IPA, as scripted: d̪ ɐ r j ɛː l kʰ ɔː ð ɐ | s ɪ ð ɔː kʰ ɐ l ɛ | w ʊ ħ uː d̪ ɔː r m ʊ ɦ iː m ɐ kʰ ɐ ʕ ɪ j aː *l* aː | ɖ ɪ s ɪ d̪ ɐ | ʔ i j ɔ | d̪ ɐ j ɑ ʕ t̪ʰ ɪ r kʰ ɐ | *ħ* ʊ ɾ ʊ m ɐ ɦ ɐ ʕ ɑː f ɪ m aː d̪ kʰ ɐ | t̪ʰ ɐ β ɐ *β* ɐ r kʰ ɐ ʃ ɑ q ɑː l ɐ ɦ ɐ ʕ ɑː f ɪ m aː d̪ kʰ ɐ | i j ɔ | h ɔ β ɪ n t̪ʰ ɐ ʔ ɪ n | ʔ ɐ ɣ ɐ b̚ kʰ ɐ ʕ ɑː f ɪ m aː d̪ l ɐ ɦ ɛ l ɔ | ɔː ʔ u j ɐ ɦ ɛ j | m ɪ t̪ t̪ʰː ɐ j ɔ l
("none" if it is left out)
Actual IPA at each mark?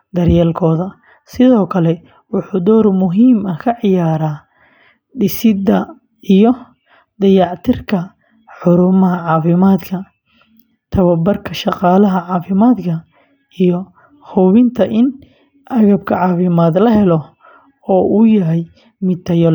ɾ, ħ, b

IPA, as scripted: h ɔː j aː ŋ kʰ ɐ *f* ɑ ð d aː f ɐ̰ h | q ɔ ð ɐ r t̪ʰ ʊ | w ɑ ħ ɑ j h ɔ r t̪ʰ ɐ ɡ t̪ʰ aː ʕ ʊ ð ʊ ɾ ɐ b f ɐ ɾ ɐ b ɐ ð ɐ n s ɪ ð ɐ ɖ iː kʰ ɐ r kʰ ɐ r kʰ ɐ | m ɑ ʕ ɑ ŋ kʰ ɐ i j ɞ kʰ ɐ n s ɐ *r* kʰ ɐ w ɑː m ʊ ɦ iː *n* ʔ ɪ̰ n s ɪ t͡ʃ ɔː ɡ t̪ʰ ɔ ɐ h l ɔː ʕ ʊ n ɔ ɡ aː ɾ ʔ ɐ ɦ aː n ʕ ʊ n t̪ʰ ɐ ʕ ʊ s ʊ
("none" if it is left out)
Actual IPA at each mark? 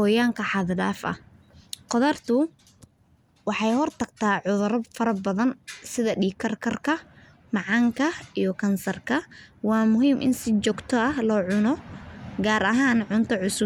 ħ, r, m

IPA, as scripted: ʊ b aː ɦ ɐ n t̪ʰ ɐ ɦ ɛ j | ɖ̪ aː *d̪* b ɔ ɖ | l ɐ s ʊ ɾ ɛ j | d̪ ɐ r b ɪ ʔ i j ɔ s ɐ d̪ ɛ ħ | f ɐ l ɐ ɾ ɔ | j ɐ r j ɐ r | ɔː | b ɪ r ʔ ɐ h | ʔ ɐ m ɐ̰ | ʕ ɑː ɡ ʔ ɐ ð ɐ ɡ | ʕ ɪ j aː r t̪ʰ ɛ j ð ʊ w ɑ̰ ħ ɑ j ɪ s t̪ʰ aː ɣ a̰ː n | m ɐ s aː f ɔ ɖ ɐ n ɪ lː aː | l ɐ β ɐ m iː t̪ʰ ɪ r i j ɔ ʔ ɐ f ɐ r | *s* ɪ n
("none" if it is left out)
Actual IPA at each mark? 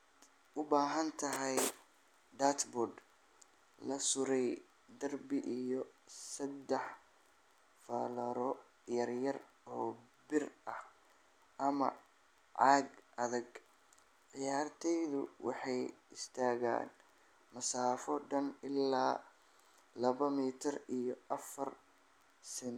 t̪, s

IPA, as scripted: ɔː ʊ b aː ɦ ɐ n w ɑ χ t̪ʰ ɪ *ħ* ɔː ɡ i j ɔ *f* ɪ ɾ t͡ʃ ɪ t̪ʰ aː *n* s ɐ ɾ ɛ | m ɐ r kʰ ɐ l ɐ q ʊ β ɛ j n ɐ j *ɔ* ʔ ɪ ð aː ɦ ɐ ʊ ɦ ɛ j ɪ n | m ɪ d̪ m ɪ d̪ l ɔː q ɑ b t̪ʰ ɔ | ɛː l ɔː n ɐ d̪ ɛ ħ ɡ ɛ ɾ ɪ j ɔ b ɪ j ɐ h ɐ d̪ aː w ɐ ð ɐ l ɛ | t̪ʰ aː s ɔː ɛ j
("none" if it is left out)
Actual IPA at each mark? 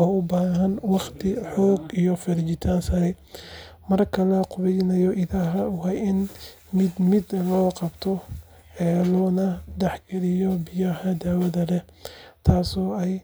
ħ, f, n, ɔ

